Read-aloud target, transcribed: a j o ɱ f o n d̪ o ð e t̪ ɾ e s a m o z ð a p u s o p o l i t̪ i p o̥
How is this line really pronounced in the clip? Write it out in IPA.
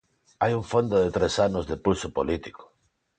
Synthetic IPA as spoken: a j u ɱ f o n d̪ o ð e t̪ ɾ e s a n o z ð e p u s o p o l i t̪ i k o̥